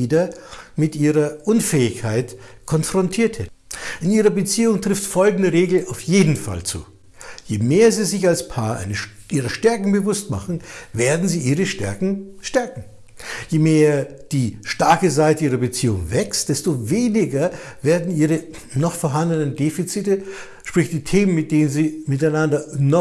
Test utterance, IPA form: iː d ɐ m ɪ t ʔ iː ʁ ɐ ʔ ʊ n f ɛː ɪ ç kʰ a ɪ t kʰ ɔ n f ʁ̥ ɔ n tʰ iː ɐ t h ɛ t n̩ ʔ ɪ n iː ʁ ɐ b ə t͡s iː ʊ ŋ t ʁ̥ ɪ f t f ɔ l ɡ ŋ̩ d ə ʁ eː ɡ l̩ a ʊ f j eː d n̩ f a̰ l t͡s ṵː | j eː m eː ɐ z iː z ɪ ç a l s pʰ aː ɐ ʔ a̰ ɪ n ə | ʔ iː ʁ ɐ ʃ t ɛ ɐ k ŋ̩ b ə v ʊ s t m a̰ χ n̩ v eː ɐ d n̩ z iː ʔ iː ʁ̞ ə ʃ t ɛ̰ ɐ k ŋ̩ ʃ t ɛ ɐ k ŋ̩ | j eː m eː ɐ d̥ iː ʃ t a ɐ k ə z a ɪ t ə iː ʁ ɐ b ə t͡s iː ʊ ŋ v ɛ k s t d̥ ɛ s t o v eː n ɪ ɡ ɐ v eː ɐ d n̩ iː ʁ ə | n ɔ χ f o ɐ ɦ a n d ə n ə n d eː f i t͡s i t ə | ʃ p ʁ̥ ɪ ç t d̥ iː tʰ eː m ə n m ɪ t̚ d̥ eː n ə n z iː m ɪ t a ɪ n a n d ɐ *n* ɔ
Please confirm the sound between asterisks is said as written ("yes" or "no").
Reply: yes